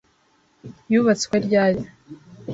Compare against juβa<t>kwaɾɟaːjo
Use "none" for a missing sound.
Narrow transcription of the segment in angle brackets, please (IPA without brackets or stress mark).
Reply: t͡s